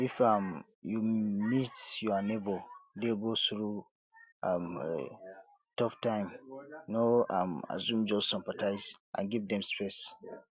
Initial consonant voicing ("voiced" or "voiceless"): voiceless